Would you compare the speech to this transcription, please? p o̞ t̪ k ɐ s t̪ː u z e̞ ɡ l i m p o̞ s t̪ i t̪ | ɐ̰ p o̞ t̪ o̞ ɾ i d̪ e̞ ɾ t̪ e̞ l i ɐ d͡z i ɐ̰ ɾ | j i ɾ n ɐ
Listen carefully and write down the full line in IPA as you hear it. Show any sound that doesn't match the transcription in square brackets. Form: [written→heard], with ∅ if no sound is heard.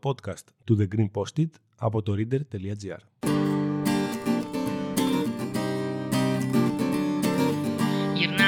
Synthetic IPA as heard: p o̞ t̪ k ɐ s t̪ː u [z→ð] e̞ ɡ [l→ɾ] i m p o̞ s t̪ i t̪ | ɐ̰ p o̞ t̪ o̞ ɾ i d̪ e̞ ɾ t̪ e̞ l i ɐ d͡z i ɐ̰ ɾ | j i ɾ n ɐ